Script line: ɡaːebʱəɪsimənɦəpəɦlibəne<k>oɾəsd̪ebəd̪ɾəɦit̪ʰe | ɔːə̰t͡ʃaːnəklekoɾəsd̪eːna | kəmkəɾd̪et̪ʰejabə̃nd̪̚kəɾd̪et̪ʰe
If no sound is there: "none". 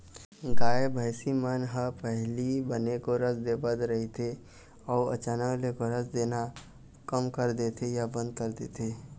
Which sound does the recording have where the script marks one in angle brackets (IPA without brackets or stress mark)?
k